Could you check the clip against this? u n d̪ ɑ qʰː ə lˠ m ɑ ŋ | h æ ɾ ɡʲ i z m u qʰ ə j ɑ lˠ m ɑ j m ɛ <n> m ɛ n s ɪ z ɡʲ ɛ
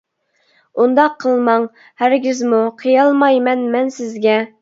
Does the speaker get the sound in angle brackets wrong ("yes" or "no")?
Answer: no